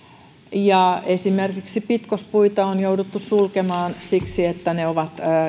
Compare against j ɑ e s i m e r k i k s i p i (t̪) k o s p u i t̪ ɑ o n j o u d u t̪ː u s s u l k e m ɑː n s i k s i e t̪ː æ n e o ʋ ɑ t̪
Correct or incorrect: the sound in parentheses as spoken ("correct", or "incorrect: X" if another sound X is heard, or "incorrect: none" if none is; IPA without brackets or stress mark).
correct